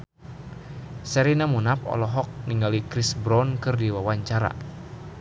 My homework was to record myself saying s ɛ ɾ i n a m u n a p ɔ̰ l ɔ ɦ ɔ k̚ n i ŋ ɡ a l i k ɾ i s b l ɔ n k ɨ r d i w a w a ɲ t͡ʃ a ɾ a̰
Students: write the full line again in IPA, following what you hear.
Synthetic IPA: s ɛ ɾ i n a m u n a p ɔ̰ l ɔ ɦ ɔ k̚ n i ŋ ɡ a l i k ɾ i s b ɾ ɔ n k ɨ r d i w a w a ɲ t͡ʃ a ɾ a̰